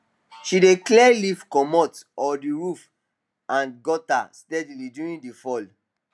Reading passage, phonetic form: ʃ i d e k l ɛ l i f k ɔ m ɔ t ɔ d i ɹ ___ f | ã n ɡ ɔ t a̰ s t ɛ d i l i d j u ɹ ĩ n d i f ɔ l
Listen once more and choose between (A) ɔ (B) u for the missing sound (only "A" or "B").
B